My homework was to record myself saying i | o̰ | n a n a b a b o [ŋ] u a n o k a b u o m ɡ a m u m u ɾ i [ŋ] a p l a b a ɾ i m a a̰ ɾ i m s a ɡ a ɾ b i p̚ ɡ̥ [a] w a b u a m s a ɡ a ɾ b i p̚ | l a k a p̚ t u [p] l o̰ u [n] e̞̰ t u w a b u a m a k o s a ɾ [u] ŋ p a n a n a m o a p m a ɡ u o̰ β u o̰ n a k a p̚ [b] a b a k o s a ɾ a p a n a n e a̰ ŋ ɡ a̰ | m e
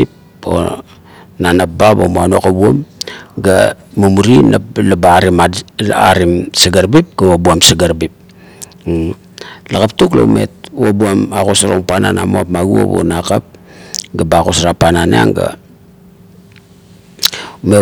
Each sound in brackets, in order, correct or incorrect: incorrect: m, incorrect: n, correct, incorrect: k, incorrect: m, incorrect: o, incorrect: ɡ

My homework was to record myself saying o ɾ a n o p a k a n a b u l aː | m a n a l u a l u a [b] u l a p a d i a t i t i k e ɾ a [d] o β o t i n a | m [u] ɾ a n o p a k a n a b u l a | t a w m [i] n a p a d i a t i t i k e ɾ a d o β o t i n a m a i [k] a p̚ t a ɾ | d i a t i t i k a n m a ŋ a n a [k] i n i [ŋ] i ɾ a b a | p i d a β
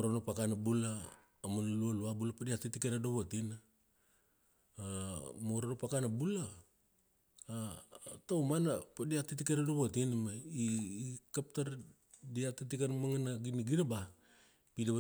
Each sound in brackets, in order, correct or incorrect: correct, correct, incorrect: o, incorrect: a, correct, incorrect: ɡ, incorrect: ɡ

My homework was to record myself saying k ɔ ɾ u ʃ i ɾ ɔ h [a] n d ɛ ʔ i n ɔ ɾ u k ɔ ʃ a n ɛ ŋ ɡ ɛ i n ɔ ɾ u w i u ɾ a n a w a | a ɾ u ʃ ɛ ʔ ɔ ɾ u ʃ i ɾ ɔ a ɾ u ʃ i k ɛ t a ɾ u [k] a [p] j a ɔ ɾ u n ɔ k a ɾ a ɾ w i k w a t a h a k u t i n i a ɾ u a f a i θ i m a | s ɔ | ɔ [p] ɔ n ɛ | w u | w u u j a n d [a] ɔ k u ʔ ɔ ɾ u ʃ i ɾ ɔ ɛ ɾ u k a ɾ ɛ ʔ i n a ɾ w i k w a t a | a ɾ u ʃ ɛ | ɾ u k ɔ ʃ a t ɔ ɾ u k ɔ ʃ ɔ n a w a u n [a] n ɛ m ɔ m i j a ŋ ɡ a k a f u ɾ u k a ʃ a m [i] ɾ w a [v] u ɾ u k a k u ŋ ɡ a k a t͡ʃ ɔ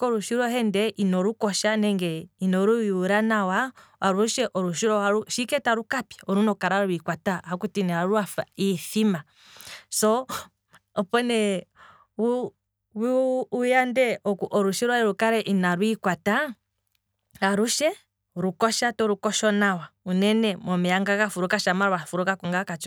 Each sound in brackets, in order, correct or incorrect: incorrect: ɛ, correct, correct, correct, incorrect: ɛ, incorrect: ɛ, incorrect: a, incorrect: f

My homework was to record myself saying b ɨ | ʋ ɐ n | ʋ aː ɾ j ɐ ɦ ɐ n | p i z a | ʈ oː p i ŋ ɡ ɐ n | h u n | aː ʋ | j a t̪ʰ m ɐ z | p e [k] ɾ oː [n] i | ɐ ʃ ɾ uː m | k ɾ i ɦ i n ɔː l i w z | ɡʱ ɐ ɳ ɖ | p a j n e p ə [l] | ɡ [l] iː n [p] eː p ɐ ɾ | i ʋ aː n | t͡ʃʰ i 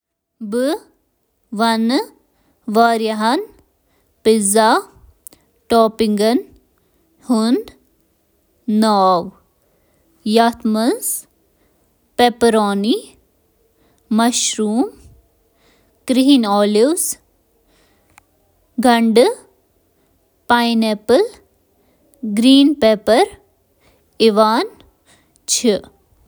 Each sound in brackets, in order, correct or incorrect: incorrect: p, correct, correct, incorrect: ɾ, correct

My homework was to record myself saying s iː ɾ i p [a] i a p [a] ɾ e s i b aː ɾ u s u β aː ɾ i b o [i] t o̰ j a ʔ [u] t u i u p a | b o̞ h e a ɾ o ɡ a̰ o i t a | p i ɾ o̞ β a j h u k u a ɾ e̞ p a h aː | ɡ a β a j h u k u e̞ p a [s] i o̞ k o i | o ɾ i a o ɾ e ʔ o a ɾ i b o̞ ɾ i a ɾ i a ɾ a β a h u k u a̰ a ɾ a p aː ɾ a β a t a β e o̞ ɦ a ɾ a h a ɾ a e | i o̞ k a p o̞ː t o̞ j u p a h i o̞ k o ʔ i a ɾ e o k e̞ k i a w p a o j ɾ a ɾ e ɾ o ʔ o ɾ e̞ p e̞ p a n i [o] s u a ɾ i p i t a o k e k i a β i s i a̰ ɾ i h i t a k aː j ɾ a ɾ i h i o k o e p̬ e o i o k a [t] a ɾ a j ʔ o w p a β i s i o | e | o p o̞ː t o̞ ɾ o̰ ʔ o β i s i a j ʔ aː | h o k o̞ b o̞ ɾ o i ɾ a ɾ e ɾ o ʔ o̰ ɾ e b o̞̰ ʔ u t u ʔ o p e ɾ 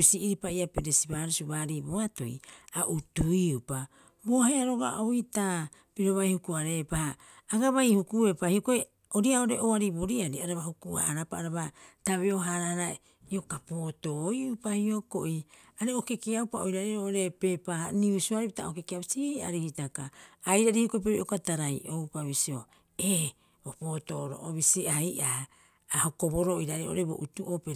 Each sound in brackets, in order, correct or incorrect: correct, incorrect: e, incorrect: a, correct, incorrect: h, incorrect: u, correct

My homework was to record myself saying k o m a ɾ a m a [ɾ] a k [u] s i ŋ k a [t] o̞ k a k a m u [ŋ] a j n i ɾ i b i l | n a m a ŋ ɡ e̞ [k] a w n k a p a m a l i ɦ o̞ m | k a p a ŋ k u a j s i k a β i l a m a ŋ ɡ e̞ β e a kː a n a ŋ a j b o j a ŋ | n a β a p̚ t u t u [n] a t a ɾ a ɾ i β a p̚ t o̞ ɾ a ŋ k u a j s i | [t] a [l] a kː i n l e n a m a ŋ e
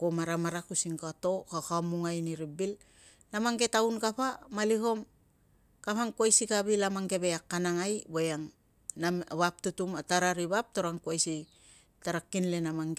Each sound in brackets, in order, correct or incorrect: correct, correct, correct, correct, incorrect: t, incorrect: m, correct, incorrect: ɾ

